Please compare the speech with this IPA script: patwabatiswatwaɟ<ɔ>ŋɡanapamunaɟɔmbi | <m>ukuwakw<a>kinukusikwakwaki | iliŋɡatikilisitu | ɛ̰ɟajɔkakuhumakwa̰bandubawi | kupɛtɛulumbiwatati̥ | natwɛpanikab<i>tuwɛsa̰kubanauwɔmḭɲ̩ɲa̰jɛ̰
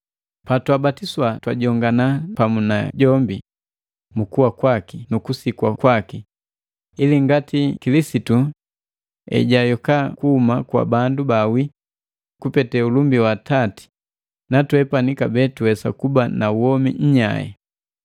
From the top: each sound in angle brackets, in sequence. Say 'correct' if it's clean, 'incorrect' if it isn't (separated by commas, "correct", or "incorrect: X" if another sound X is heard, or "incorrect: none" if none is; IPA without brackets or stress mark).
correct, correct, correct, incorrect: ɛ